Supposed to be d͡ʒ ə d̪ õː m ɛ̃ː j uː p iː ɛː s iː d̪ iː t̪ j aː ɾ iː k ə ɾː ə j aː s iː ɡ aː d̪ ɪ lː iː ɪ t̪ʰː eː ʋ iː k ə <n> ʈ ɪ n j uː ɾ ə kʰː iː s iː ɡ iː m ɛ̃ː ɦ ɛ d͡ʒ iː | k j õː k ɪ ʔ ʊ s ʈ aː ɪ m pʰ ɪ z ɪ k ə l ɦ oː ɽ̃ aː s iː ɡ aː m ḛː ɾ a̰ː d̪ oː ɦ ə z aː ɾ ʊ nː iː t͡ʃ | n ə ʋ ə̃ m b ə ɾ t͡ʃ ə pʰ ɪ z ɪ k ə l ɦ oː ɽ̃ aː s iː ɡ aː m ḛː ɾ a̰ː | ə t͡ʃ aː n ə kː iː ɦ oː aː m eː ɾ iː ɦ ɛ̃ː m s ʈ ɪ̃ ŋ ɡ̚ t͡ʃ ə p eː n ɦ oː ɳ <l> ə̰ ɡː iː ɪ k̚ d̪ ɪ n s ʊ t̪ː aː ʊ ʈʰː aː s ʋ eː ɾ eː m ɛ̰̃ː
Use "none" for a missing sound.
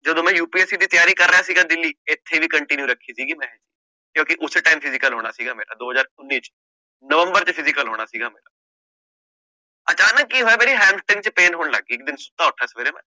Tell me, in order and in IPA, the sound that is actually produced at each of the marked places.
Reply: ɳ, l

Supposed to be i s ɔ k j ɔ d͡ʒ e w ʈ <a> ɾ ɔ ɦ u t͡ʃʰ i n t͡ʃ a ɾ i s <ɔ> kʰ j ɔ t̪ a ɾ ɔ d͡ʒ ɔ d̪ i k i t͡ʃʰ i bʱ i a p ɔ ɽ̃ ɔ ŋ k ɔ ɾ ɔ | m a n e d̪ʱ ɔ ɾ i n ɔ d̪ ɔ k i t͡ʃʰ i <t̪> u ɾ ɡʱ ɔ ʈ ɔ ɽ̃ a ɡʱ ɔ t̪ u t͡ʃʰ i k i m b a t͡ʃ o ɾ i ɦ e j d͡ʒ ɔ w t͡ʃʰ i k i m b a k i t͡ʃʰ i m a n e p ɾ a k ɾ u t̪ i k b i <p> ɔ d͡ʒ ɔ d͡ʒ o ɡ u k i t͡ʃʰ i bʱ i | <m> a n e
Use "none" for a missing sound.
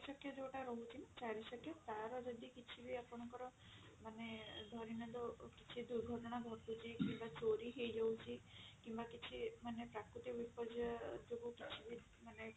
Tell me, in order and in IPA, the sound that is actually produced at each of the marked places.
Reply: a, ɔ, d̪, p, m

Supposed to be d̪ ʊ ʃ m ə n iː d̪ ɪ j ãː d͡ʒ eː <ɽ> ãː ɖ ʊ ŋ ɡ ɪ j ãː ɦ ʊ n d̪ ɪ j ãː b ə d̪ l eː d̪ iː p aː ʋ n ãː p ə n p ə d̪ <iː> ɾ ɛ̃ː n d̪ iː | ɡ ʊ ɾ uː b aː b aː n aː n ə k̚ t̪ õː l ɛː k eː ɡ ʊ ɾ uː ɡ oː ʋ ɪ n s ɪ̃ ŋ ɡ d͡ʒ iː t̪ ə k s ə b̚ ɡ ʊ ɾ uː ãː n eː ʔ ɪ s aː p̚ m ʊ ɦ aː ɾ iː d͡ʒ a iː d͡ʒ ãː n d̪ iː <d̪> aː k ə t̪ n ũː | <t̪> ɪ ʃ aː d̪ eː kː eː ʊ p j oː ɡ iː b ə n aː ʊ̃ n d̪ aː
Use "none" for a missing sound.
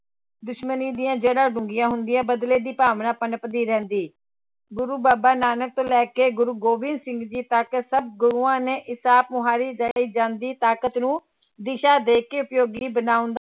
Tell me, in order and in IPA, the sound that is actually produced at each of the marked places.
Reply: ɽ, iː, t̪, d̪

